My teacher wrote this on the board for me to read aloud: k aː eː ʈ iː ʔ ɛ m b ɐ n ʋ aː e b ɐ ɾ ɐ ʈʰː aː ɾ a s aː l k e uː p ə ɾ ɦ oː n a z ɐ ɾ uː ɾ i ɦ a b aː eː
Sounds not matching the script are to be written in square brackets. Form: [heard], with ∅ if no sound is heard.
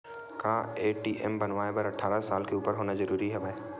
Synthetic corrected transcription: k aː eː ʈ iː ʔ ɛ m b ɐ n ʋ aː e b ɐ ɾ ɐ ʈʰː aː ɾ a s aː l k e uː p ə ɾ ɦ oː n a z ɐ ɾ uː ɾ i ɦ [ɛ] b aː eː